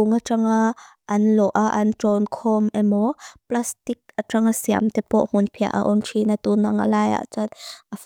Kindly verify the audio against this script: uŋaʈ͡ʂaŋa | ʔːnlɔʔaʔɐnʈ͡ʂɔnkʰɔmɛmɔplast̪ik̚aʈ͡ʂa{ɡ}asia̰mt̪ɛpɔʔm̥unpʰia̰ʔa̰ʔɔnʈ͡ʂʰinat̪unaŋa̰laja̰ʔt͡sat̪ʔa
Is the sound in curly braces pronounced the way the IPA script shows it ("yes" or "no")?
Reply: no